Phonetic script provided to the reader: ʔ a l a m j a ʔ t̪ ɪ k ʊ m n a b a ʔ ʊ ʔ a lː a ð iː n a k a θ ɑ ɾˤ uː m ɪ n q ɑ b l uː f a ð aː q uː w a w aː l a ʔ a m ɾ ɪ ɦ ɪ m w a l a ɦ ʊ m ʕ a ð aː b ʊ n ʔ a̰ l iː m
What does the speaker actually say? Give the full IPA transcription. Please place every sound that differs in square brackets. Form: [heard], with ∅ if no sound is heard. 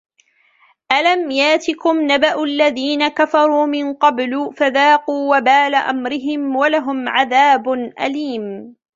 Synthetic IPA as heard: ʔ a l a m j a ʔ t̪ ɪ k ʊ m n a b a ʔ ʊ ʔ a lː a ð iː n a k a [f] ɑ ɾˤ uː m ɪ n q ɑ b l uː f a ð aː q uː w a [b] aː l a ʔ a m ɾ ɪ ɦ ɪ m w a l a ɦ ʊ m ʕ a ð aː b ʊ n ʔ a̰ l iː m

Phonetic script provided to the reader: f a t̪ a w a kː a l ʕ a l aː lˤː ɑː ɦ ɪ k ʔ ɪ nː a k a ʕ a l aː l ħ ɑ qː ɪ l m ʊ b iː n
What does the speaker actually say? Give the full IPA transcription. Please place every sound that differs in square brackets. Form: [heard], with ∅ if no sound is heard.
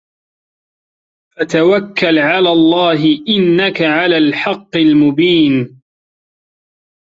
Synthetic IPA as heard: f a t̪ a w a kː a l ʕ a l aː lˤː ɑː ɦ ɪ [∅] ʔ ɪ nː a k a ʕ a l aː l ħ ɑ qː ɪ l m ʊ b iː n

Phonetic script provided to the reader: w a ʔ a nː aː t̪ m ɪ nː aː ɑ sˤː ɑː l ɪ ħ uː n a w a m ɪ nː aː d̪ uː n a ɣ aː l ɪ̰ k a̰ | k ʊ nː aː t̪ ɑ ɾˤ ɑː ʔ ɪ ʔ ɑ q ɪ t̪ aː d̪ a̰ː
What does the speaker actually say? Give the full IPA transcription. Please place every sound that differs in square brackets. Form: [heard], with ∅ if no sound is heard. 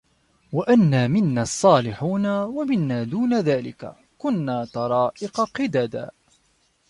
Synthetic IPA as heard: w a ʔ a nː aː [∅] m ɪ nː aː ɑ sˤː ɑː l ɪ ħ uː n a w a m ɪ nː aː d̪ uː n a [ð] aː l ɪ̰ k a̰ | k ʊ nː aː t̪ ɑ ɾˤ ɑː ʔ ɪ [q] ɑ q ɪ [d̪] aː d̪ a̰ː

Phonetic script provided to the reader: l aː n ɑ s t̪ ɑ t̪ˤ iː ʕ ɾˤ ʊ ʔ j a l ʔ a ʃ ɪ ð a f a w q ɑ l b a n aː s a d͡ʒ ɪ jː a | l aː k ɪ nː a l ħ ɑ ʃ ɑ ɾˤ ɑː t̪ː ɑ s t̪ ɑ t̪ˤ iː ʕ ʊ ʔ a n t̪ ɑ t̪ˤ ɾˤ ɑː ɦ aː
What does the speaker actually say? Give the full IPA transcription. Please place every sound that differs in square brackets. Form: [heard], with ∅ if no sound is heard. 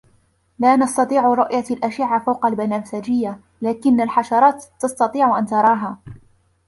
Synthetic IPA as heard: l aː n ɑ s t̪ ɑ t̪ˤ iː ʕ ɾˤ ʊ ʔ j a l ʔ a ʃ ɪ [ʕ] a f a w q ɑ l b a n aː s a d͡ʒ ɪ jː a | l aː k ɪ nː a l ħ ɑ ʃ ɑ ɾˤ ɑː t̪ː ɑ s t̪ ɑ t̪ˤ iː ʕ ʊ ʔ a n t̪ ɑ [∅] ɾˤ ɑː ɦ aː

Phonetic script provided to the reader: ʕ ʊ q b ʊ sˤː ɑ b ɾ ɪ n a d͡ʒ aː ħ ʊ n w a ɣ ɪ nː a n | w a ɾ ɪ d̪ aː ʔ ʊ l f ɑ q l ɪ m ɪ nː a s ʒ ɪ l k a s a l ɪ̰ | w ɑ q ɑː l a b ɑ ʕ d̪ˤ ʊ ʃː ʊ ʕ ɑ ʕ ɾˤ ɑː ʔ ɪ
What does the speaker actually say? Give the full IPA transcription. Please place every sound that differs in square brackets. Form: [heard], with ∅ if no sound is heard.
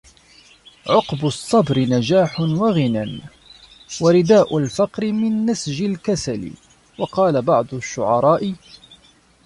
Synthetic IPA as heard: ʕ ʊ q b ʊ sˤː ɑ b ɾ ɪ n a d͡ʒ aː ħ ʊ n w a ɣ ɪ [n] a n | w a ɾ ɪ d̪ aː ʔ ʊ l f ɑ q [ɾ] ɪ m ɪ nː a s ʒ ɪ l k a s a l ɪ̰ | w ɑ q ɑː l a b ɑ ʕ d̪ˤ ʊ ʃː ʊ ʕ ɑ [∅] ɾˤ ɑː ʔ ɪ

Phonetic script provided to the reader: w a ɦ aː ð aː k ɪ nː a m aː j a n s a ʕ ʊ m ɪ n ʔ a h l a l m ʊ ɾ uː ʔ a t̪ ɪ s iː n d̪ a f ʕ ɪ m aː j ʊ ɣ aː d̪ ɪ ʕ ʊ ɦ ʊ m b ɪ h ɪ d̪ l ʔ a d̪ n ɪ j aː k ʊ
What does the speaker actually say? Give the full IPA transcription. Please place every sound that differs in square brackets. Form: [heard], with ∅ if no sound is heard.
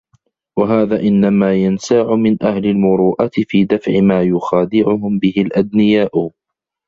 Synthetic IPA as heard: w a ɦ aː ð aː [ʔ] ɪ nː a m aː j a n s a ʕ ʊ m ɪ n ʔ a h l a l m ʊ ɾ uː ʔ a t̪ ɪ [f] iː [∅] d̪ a f ʕ ɪ m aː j ʊ [x] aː d̪ ɪ ʕ ʊ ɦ ʊ m b ɪ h ɪ [∅] l ʔ a d̪ n ɪ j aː [ʔ] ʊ

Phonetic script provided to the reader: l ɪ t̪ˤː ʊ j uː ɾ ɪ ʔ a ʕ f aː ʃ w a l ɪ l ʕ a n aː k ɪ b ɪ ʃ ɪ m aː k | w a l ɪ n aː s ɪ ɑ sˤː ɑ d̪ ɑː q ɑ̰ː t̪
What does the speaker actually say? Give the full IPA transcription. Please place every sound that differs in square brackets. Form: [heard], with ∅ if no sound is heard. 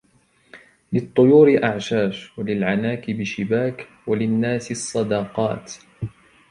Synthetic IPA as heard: l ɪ t̪ˤː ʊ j uː ɾ ɪ ʔ a ʕ [ʃ] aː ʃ w a l ɪ l ʕ a n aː k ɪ b ɪ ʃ ɪ [b] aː k | w a l ɪ [nː] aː s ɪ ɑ sˤː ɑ d̪ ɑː q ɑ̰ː t̪

